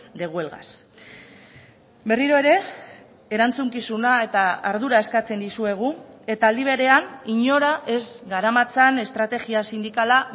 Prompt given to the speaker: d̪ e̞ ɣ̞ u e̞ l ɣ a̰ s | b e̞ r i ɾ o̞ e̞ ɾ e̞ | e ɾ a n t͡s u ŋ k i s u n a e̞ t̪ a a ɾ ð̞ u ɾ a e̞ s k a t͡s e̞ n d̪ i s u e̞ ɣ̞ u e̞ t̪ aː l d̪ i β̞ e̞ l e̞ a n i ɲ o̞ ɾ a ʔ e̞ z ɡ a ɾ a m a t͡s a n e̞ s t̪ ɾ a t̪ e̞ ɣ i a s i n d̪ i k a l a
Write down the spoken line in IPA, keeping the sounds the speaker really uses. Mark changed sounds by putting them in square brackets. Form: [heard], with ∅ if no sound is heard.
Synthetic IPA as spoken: d̪ e̞ ɣ̞ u e̞ l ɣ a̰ s | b e̞ r i ɾ o̞ e̞ ɾ e̞ | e ɾ a n t͡s u ŋ k i s u n a e̞ t̪ a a ɾ ð̞ u ɾ a e̞ s k a t͡s e̞ n d̪ i s u e̞ ɣ̞ u e̞ t̪ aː l d̪ i β̞ e̞ [ɾ] e̞ a n i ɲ o̞ ɾ a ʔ e̞ z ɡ a ɾ a m a t͡s a n e̞ s t̪ ɾ a t̪ e̞ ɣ i a s i n d̪ i k a l a